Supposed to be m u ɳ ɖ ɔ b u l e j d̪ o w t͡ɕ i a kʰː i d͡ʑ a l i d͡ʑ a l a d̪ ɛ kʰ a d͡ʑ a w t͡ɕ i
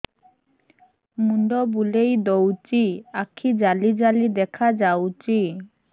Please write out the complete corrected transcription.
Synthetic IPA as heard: m u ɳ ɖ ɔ b u l e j d̪ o w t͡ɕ i a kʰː i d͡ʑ a l i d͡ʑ a l i d̪ ɛ kʰ a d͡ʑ a w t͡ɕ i